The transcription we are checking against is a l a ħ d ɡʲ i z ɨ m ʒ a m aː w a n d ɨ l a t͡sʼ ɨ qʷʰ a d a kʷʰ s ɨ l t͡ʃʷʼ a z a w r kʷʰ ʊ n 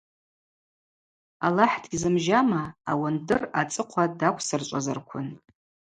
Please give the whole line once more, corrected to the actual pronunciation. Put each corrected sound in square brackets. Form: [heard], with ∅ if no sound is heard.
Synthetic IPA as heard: a l a ħ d ɡʲ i z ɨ m ʒ a m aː w a n d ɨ [r] a t͡sʼ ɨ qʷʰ a d a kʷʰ s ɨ [r] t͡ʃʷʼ a z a [∅] r kʷʰ ʊ n